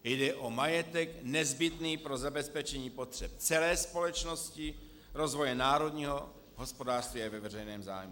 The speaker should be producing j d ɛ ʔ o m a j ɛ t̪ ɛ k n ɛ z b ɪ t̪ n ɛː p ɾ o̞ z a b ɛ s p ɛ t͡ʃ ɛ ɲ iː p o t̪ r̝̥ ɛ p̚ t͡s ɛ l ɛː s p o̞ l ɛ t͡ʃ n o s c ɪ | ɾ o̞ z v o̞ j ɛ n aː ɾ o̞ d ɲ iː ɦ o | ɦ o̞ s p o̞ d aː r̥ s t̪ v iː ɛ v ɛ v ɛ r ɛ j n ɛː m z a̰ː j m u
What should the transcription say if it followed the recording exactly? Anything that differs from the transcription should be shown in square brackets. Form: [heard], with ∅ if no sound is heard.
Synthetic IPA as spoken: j d ɛ ʔ o m a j ɛ t̪ ɛ k n ɛ z b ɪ t̪ n [iː] p ɾ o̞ z a b ɛ s p ɛ t͡ʃ ɛ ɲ iː p o t̪ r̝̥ ɛ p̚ t͡s ɛ l ɛː s p o̞ l ɛ t͡ʃ n o s c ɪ | ɾ o̞ z v o̞ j ɛ n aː ɾ o̞ d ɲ iː ɦ o | ɦ o̞ s p o̞ d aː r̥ s t̪ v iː [a] v ɛ v ɛ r ɛ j n ɛː m z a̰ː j m u